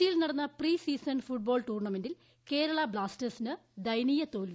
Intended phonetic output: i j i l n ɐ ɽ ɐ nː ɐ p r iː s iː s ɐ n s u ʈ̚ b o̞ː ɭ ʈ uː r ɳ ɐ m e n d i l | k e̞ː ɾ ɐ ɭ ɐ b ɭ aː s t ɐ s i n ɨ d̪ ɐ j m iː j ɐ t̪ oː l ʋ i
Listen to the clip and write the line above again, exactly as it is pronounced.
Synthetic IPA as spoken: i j i l n ɐ ɽ ɐ nː ɐ p r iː s iː s ɐ n f u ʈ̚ b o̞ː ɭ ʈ uː r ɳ ɐ m e n d i l | k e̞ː ɾ ɐ ɭ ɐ b ɭ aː s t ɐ s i n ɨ d̪ ɐ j n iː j ɐ t̪ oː l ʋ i